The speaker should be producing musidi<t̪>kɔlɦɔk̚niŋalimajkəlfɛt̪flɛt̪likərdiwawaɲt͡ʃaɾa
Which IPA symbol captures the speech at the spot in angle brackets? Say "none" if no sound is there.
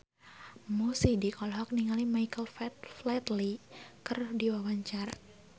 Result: none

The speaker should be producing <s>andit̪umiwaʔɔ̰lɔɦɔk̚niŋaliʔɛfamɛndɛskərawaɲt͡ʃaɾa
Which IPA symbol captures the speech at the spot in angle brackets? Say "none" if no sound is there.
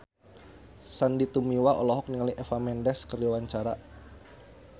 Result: s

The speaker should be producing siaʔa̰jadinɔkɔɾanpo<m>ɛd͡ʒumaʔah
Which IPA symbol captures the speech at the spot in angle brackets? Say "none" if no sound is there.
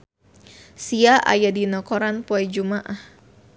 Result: none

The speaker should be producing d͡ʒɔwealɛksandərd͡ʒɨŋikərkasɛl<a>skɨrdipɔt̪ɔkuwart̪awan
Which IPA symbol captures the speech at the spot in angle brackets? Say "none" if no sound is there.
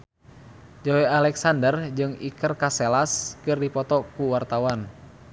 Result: a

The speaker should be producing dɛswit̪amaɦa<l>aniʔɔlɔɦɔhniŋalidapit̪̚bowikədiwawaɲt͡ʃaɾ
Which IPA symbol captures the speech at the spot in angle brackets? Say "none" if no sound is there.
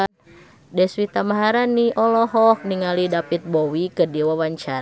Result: ɾ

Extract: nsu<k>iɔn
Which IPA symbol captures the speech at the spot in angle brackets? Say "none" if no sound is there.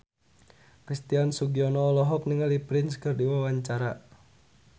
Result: ɡ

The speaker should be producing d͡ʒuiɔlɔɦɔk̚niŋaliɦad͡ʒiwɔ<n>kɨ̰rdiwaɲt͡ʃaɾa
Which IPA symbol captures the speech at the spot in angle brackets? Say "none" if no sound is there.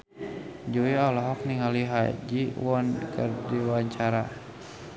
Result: n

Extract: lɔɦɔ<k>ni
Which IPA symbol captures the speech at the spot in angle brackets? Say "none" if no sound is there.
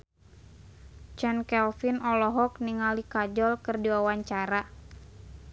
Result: k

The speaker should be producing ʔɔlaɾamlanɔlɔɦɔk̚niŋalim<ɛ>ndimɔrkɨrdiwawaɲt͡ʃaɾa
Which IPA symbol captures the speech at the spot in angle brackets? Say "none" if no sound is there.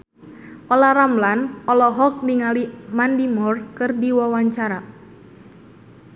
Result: a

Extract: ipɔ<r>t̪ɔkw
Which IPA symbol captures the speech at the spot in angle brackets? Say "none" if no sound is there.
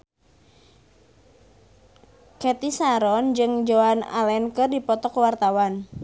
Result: none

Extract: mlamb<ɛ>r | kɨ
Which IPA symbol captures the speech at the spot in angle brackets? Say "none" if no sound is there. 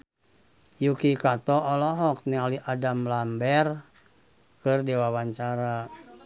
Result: ɛ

